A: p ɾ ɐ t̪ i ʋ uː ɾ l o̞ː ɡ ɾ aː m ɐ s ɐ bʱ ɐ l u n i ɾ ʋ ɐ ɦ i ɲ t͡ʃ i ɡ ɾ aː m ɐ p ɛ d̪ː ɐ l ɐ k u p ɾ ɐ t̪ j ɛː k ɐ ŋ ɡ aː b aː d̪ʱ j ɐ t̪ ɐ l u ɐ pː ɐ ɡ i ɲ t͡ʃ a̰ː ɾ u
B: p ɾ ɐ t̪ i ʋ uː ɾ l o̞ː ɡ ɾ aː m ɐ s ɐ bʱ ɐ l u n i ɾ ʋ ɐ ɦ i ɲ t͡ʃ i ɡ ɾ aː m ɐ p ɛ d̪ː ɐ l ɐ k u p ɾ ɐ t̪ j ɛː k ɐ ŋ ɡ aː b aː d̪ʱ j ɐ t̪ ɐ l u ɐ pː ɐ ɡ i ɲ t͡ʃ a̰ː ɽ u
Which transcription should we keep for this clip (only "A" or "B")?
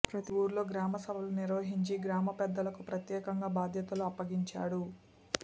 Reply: B